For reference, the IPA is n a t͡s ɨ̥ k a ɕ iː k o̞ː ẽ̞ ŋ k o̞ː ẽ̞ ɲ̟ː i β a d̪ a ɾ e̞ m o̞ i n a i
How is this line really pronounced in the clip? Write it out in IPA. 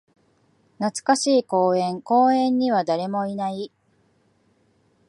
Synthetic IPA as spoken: n a t͡s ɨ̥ k a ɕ iː k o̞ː ẽ̞ ŋ k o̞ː ẽ̞ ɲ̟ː i β a d̪ a ɾ e̞ m o̞ i n a i